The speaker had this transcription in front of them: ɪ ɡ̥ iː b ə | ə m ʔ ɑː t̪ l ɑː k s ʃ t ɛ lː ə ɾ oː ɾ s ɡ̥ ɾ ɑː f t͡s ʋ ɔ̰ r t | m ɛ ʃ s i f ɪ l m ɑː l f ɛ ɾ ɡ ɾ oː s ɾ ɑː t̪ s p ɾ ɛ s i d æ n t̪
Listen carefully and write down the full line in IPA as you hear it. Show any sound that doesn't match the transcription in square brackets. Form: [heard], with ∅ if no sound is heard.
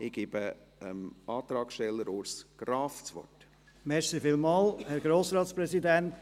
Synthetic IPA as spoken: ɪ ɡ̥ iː b ə | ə m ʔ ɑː t̪ [ɾ] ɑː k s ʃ t ɛ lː ə ɾ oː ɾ s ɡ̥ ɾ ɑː f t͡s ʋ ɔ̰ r t | m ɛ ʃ s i f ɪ l m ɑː l [h] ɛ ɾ ɡ ɾ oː s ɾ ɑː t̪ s p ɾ ɛ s i d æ n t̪